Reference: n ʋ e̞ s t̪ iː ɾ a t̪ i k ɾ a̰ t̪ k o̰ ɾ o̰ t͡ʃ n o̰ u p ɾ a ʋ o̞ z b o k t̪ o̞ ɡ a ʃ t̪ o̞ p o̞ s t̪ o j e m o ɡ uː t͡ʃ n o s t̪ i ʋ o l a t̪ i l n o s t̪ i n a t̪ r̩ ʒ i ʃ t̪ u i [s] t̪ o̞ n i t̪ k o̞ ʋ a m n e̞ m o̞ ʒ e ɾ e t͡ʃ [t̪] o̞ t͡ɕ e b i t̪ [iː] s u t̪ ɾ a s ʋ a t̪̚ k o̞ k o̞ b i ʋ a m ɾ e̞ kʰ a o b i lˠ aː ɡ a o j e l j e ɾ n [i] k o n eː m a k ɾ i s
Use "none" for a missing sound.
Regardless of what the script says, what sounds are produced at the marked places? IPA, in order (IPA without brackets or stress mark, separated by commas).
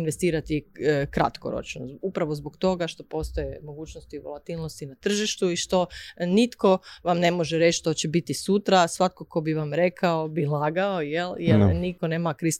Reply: ʃ, t̪, i, i